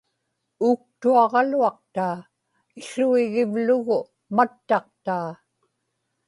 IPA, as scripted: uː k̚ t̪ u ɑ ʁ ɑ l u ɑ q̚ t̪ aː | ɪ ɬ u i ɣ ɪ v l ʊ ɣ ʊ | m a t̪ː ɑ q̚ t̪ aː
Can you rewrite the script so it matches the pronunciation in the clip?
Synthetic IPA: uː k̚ t̪ u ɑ ʁ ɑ l u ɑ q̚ t̪ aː | ɪ ɬ u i ɣ ɪ v l ʊ ɣ ʊ | m a t̪ː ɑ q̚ t̪ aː